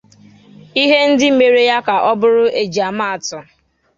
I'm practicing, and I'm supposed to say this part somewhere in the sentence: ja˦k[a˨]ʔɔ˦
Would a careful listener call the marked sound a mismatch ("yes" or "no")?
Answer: no